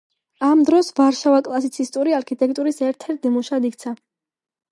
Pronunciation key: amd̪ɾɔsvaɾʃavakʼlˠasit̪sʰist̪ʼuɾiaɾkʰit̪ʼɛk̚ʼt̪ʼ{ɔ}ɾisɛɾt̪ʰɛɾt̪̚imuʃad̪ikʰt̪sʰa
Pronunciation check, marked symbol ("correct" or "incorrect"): incorrect